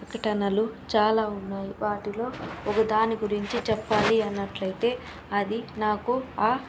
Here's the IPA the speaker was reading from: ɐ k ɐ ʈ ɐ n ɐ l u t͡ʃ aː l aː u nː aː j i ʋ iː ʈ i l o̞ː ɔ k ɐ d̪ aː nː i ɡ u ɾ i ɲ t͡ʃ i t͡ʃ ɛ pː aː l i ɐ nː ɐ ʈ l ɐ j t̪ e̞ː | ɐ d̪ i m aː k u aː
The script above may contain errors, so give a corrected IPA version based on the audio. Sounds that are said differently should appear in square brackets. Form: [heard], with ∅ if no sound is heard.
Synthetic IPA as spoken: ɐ k ɐ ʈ ɐ n ɐ l u t͡ʃ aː l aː u nː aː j i ʋ [aː] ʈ i l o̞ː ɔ k ɐ d̪ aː [n] i ɡ u ɾ i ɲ t͡ʃ i t͡ʃ ɛ pː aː l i ɐ nː ɐ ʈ l ɐ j t̪ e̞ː | ɐ d̪ i [n] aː k u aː